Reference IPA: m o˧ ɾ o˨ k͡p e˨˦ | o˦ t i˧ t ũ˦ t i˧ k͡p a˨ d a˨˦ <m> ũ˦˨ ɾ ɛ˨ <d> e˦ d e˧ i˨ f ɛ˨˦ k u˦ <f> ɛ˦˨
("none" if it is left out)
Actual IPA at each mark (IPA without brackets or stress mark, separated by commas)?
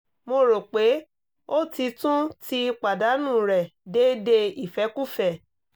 n, d, f